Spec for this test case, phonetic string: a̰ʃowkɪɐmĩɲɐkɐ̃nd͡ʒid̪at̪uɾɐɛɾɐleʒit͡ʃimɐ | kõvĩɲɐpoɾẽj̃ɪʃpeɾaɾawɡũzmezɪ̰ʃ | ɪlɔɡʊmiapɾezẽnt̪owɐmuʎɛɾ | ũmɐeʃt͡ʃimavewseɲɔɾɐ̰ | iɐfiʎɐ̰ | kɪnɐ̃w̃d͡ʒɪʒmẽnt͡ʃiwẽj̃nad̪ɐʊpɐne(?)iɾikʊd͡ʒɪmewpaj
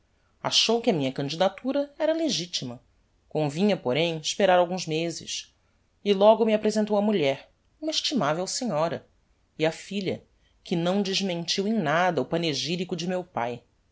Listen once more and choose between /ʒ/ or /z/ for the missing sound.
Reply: ʒ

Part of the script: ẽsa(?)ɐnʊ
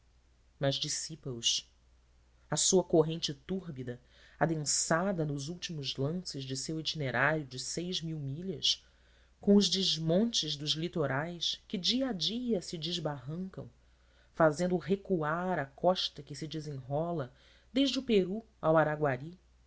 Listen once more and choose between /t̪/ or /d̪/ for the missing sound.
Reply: d̪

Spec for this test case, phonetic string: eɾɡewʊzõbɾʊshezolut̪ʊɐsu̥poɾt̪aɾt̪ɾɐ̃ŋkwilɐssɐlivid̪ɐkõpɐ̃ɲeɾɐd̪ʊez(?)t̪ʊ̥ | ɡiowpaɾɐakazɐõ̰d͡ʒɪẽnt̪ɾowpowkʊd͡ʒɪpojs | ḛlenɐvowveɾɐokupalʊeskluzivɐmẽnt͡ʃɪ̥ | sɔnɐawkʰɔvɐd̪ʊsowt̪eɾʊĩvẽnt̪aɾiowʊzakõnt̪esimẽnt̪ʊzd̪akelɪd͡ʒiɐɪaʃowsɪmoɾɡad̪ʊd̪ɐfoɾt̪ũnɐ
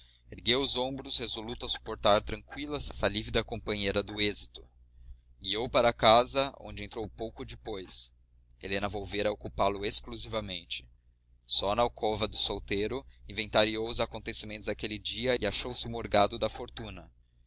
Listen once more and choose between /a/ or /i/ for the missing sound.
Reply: i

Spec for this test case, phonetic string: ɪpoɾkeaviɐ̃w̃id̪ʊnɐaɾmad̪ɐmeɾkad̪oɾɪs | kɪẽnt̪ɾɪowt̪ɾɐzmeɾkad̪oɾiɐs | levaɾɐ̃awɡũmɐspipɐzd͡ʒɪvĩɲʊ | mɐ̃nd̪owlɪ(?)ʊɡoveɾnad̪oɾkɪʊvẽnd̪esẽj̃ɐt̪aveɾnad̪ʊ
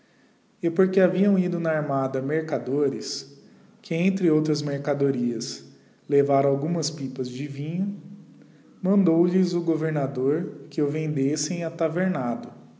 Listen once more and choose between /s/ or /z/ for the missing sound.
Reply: z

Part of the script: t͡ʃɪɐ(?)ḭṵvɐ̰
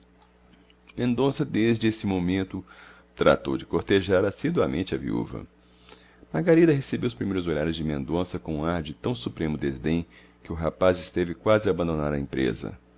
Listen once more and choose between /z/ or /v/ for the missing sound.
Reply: v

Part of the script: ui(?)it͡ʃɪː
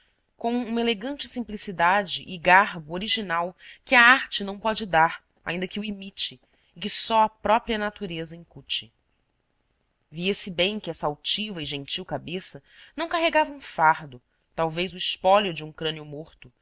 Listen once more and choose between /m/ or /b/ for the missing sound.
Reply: m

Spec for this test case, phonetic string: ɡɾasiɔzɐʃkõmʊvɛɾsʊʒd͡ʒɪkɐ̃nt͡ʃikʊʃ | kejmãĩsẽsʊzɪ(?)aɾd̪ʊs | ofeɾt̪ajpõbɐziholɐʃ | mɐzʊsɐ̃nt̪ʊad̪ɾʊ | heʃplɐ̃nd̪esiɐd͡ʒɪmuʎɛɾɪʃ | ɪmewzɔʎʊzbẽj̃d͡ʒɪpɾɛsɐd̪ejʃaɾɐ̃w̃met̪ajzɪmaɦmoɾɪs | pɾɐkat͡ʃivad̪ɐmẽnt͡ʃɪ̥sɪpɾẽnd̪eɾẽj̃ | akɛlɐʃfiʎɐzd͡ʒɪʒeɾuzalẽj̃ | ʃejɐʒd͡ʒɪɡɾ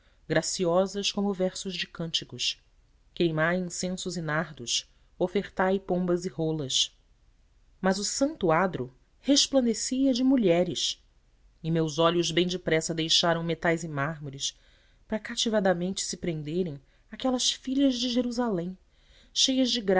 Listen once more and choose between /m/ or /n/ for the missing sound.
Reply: n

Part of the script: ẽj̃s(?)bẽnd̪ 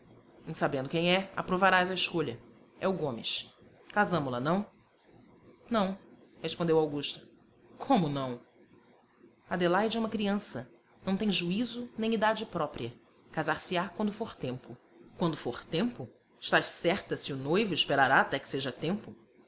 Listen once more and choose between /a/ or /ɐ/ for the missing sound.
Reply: a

